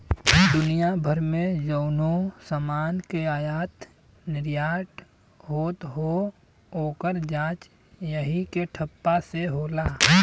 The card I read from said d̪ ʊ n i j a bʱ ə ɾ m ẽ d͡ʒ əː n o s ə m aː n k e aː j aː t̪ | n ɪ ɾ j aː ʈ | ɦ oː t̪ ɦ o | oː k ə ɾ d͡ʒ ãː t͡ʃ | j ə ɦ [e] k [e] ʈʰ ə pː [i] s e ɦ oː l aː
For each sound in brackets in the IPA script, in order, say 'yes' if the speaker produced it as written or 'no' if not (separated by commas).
no, yes, no